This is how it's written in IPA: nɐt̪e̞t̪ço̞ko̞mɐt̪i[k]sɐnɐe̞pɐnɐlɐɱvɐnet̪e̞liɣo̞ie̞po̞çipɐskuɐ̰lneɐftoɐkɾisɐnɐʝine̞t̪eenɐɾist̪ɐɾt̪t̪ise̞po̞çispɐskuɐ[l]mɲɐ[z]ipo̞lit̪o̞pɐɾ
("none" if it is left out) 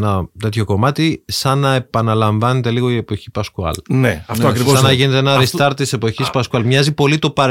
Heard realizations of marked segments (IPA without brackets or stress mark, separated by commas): none, l, z